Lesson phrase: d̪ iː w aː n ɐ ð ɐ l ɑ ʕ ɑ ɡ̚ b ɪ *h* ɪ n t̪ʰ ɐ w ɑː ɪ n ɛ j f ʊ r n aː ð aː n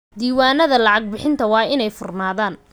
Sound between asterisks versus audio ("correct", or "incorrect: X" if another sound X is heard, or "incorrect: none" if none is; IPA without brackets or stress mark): incorrect: ħ